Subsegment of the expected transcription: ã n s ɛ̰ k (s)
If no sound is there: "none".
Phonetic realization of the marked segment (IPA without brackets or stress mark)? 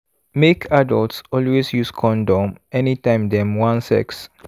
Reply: s